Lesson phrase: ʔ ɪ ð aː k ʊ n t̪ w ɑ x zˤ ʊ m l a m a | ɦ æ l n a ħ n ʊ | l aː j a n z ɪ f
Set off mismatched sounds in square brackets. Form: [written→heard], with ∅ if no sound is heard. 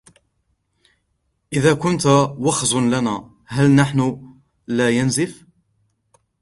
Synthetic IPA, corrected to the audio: ʔ ɪ ð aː k ʊ n t̪ w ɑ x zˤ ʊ [m→n] l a [m→n] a | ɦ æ l n a ħ n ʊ | l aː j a n z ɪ f